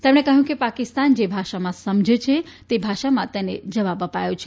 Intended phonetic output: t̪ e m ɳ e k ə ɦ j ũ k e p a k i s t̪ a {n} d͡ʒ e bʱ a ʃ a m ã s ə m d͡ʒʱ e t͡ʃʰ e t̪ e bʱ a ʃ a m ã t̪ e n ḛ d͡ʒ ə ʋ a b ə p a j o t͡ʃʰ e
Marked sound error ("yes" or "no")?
no